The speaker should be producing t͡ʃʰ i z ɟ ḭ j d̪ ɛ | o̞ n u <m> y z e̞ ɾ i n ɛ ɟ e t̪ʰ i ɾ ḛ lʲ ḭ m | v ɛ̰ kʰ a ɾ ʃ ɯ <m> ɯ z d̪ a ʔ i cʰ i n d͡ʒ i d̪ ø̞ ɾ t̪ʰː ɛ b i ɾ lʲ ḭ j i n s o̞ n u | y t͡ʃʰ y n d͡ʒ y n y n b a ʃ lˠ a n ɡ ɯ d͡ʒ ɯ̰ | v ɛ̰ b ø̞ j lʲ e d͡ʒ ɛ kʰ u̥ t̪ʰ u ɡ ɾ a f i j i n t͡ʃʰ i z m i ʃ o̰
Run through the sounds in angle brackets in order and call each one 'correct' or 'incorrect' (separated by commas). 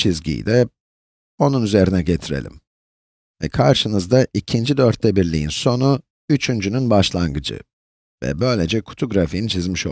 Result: incorrect, incorrect